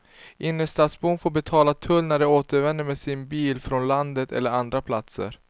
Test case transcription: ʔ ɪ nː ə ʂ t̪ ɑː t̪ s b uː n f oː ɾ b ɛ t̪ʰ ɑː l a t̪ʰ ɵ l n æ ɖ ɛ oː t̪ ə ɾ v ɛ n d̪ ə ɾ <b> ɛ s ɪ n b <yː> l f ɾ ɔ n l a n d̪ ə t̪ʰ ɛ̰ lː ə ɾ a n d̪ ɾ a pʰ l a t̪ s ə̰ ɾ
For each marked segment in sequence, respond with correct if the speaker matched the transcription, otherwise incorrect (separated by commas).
incorrect, incorrect